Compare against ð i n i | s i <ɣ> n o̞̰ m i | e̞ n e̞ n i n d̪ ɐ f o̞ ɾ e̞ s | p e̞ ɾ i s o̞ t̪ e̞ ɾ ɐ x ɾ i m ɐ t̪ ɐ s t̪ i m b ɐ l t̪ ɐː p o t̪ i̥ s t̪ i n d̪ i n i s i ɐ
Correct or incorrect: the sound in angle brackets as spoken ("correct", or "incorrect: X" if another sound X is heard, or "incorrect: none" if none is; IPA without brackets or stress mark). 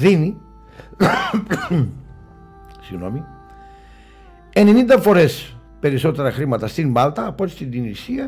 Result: correct